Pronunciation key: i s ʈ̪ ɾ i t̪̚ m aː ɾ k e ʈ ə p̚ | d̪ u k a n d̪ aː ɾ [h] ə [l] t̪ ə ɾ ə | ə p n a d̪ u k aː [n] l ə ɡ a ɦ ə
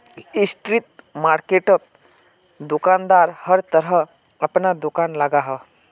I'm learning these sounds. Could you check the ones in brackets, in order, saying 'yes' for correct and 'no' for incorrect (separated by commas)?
yes, no, yes